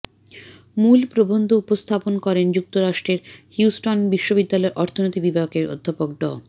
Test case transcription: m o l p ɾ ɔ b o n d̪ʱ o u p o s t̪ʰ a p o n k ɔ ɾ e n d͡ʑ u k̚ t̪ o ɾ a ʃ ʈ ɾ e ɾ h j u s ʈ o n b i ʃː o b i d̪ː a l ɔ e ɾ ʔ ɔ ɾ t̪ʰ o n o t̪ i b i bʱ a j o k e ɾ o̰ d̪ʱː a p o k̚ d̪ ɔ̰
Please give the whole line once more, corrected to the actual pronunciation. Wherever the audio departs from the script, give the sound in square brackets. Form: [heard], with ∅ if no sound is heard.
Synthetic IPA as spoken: m [u] l p ɾ [o] b o n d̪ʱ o u p o s t̪ʰ a p o n k ɔ ɾ e n d͡ʑ u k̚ t̪ o ɾ a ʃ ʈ ɾ e ɾ h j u s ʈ o n b i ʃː o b i d̪ː a l ɔ e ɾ ʔ ɔ ɾ t̪ʰ o n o t̪ i b i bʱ a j o k e ɾ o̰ d̪ʱː a p o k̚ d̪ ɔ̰